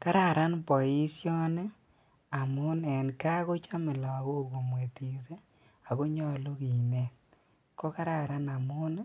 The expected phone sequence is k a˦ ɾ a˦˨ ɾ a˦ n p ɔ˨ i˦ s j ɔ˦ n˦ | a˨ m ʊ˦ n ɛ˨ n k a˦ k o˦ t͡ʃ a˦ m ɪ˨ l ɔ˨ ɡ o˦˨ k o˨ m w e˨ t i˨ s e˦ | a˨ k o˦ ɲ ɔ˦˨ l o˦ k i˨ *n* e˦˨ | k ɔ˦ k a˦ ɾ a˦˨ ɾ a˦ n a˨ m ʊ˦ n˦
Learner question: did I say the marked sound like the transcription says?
yes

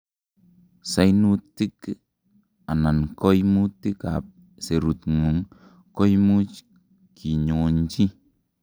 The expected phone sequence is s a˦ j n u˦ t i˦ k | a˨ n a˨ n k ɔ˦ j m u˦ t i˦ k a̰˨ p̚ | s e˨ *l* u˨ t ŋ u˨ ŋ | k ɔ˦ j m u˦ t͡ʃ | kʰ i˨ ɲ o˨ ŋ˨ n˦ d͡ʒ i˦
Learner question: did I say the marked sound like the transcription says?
no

